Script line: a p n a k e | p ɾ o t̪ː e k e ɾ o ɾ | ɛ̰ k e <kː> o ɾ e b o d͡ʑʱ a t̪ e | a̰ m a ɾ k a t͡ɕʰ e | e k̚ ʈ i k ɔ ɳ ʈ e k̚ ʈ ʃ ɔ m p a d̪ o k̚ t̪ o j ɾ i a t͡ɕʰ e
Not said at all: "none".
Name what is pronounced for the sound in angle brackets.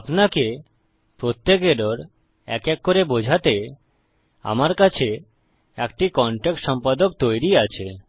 kː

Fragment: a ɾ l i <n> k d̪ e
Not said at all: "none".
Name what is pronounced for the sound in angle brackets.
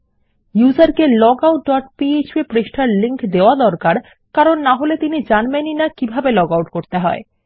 ŋ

